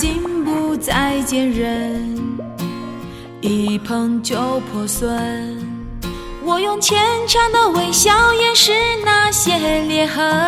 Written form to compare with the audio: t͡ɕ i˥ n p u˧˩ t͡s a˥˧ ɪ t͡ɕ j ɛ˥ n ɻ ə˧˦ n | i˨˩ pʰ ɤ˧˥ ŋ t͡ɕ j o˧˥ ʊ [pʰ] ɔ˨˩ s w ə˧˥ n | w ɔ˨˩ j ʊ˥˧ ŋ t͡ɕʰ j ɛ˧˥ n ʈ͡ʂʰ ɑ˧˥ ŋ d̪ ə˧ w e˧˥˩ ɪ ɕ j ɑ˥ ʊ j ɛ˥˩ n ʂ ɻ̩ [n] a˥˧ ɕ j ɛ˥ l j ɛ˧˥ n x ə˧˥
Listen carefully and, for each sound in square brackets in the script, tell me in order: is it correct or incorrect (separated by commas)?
correct, correct